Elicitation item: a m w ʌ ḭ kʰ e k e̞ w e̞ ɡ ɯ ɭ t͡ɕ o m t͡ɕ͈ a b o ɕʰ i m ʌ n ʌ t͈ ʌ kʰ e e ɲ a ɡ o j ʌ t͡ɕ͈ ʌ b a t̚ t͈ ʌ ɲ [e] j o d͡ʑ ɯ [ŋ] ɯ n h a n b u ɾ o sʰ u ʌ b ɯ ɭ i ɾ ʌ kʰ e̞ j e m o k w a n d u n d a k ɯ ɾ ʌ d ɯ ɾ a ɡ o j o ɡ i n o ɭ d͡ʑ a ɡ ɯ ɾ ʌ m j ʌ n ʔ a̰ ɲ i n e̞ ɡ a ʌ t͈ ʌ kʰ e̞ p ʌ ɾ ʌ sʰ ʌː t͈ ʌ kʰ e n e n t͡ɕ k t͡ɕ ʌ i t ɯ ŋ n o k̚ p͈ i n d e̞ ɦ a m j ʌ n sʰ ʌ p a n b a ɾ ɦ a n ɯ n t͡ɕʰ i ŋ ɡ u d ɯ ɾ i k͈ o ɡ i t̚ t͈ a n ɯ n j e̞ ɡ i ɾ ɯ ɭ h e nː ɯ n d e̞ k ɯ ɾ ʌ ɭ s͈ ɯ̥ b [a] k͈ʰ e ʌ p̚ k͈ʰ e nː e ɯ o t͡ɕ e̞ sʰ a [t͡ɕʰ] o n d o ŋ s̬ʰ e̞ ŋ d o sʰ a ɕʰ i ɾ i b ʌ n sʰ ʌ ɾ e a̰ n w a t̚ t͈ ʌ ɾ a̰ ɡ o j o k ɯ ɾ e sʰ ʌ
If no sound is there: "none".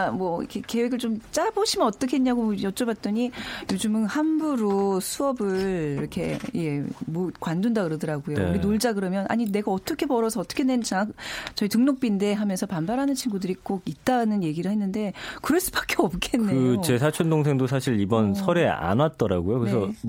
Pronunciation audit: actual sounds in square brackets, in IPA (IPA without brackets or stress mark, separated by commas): i, m, a, t͡ɕʰ